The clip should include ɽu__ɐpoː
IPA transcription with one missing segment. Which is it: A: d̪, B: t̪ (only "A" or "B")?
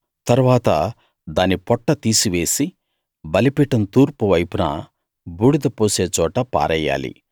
A